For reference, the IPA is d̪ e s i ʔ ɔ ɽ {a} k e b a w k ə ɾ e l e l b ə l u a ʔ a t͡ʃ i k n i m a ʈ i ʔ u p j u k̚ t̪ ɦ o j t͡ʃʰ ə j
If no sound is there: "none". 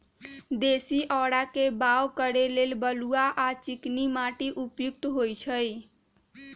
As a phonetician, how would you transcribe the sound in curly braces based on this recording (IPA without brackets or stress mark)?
a